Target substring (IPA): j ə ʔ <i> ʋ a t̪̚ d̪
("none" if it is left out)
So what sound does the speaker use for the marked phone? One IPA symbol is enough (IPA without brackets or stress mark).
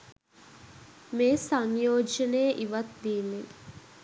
i